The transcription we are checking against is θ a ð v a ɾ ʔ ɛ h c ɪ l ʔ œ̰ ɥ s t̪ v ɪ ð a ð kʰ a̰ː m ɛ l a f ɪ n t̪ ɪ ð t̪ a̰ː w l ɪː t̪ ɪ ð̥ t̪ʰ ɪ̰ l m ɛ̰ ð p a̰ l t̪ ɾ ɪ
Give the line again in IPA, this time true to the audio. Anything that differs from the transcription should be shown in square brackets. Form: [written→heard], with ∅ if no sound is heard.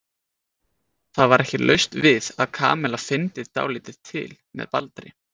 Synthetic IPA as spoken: θ a ð v a ɾ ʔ ɛ h c ɪ l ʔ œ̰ ɥ s t̪ v ɪ ð a ð kʰ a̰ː m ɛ l a f ɪ n t̪ ɪ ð t̪ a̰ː w l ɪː t̪ ɪ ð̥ t̪ʰ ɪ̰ l m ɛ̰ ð p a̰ l t̪ ɾ ɪ